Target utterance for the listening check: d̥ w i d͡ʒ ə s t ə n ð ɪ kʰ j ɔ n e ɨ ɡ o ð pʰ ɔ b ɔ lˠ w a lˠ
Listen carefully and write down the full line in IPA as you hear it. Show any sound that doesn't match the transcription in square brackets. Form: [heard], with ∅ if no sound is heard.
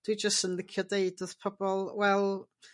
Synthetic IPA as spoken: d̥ w i d͡ʒ ə s t ə n ð ɪ kʰ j ɔ [d] e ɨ [d] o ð pʰ ɔ b ɔ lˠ w [ɛ] lˠ